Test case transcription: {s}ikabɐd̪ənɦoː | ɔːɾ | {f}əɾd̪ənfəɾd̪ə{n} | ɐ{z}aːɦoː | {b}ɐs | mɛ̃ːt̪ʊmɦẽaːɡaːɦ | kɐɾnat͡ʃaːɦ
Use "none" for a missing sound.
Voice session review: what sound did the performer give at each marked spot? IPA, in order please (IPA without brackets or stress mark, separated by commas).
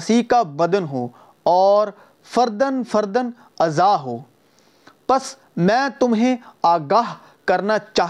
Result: s, f, n, z, p